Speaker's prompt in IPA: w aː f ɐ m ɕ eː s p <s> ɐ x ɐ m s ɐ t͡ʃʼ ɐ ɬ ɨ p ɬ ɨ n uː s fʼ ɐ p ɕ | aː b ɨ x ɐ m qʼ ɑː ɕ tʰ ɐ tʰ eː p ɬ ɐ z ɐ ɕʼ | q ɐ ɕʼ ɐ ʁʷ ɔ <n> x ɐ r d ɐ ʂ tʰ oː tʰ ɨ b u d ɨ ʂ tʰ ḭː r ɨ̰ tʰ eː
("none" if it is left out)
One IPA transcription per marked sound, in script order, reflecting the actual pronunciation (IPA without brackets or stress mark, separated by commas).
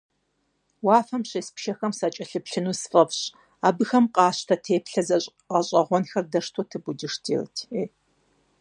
ʃ, n